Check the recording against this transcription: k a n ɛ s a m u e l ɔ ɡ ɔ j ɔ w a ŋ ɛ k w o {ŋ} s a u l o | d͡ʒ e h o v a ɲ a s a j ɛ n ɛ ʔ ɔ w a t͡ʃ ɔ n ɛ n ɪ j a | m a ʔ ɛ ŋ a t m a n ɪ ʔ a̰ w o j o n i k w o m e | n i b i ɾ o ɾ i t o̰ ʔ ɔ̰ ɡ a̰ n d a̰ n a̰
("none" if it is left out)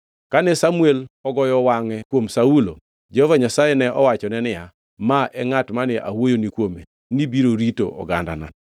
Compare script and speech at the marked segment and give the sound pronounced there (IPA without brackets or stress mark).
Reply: m